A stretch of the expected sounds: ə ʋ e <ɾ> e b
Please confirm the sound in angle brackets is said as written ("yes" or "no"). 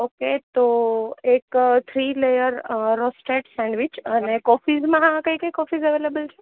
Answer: no